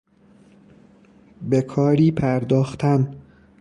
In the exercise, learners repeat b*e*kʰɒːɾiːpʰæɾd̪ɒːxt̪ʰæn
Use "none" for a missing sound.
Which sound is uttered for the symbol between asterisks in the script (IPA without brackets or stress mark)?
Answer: e